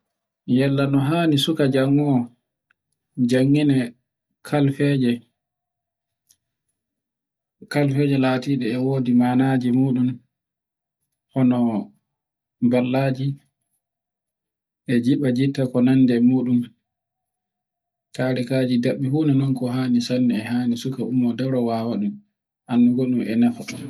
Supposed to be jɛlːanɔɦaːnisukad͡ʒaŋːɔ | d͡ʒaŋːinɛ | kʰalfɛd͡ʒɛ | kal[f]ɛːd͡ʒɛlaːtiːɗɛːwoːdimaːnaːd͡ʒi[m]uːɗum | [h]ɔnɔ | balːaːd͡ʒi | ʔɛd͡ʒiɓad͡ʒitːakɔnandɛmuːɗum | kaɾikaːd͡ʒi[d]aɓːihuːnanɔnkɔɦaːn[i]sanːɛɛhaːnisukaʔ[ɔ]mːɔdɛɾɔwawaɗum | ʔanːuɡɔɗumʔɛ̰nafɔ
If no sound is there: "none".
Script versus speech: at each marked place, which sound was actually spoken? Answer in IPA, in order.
f, m, h, d, i, u

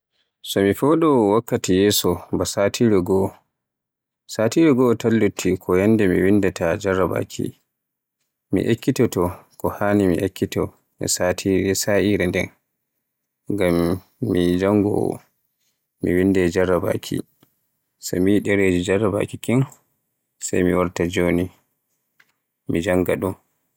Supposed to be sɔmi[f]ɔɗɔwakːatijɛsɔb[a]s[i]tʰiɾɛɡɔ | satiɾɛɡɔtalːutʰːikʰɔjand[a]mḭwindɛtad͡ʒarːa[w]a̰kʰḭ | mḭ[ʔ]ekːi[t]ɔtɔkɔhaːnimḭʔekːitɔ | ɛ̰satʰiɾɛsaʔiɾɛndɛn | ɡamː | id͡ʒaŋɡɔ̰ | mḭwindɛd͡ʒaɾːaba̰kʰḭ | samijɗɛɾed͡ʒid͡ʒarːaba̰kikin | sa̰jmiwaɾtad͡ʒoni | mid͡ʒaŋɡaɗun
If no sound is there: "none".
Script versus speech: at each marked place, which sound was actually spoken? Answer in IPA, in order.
f, a, a, ɛ, b, ʔ, t

